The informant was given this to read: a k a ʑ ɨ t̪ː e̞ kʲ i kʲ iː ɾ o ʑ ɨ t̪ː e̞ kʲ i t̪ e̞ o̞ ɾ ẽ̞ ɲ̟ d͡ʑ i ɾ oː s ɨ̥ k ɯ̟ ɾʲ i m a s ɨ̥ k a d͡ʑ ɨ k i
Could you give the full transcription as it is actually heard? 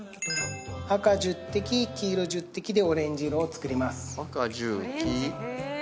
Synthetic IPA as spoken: a k a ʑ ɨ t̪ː e̞ kʲ i kʲ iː ɾ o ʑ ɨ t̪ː e̞ kʲ i d̪ e̞ o̞ ɾ ẽ̞ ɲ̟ d͡ʑ i ɾ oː t͡s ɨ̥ k ɯ̟ ɾʲ i m a s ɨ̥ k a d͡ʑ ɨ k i